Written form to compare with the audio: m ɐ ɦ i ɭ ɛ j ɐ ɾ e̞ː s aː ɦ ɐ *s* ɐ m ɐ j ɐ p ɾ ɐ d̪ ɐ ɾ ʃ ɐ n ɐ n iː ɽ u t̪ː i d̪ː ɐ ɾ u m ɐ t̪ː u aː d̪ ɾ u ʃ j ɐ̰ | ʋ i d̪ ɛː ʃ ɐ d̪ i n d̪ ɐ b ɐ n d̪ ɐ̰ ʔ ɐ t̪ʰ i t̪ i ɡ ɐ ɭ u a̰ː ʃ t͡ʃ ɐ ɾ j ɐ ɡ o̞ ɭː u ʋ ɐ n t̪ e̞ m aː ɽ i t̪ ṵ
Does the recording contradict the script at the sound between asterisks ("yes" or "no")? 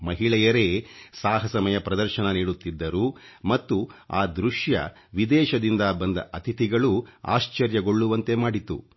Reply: no